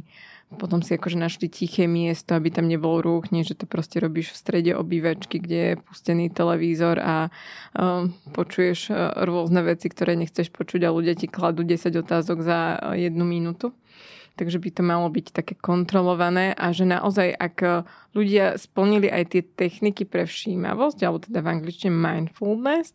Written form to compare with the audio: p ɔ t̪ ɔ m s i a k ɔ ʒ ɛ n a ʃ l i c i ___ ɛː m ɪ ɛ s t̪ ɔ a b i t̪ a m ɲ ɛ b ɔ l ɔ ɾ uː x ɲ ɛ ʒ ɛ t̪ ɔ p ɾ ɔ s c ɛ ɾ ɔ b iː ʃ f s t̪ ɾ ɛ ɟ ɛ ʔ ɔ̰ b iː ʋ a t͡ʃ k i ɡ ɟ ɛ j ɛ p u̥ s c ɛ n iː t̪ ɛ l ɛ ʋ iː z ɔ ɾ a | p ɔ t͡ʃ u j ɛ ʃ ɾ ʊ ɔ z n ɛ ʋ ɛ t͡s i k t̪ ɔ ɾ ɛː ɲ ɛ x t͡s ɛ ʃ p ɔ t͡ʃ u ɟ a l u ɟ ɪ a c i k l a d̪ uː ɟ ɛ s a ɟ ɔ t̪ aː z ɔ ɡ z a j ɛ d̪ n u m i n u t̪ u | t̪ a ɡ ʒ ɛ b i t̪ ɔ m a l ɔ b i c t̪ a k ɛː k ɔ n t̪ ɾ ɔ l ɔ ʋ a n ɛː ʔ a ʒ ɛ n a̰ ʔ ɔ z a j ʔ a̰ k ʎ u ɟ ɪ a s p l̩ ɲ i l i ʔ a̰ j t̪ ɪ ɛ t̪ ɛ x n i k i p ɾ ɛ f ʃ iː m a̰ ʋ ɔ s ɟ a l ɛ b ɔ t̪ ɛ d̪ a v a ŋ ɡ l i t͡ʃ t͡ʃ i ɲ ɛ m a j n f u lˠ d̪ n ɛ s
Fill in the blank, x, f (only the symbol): x